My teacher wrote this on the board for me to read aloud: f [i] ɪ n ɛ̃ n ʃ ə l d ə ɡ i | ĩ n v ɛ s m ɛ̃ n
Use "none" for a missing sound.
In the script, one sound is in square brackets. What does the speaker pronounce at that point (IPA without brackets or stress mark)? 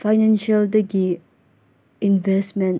a